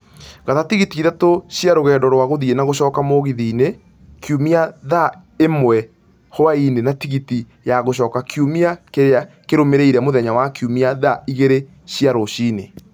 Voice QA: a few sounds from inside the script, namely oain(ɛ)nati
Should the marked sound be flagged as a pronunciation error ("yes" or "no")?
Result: yes